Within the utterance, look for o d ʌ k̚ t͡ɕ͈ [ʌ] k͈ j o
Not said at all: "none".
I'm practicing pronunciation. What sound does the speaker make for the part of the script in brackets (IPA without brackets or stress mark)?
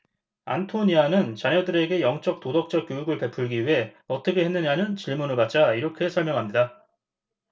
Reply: ʌ